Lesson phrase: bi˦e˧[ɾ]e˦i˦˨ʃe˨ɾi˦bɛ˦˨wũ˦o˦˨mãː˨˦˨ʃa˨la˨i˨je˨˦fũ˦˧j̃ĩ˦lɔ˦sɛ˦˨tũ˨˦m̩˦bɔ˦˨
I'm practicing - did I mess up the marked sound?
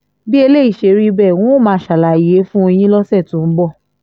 yes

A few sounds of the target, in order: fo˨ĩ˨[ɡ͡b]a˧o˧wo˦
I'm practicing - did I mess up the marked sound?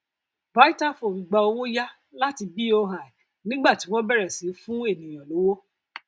no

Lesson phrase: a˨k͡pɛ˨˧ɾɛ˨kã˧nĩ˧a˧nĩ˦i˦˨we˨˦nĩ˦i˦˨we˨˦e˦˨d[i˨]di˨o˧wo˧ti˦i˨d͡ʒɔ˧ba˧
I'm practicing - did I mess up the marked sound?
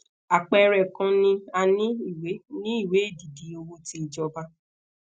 no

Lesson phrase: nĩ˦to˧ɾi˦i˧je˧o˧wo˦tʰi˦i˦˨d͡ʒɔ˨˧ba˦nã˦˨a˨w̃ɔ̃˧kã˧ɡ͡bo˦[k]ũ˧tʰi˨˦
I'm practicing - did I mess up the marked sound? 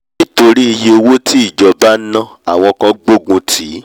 yes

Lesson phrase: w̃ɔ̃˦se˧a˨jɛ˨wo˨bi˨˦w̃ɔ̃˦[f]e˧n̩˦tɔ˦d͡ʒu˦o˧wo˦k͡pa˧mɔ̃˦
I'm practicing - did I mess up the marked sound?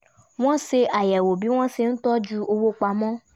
yes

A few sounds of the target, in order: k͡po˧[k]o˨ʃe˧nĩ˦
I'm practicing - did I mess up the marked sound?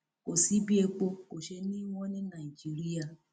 no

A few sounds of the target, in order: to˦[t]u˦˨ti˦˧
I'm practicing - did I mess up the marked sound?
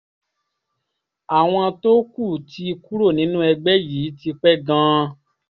yes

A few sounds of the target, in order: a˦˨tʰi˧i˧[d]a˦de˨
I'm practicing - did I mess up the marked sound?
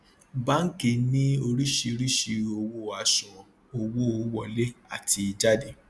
yes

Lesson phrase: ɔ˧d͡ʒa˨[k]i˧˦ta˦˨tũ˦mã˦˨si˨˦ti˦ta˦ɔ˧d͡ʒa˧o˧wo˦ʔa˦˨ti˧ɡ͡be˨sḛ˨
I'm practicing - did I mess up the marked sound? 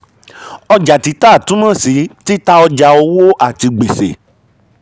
yes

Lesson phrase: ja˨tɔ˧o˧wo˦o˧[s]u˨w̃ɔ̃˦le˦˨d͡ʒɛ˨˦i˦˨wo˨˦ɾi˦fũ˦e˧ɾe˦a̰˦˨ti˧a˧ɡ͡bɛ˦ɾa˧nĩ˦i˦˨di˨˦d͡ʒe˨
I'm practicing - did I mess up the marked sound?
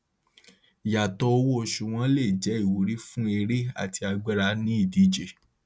yes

